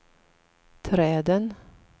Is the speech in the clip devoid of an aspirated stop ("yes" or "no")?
no